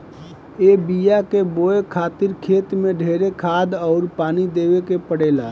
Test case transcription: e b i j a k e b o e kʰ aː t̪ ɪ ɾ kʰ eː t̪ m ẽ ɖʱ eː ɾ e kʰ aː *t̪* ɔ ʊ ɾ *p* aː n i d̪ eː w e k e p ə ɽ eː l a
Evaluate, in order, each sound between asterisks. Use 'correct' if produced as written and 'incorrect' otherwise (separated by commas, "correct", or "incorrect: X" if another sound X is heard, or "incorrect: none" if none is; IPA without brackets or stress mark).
incorrect: d̪, correct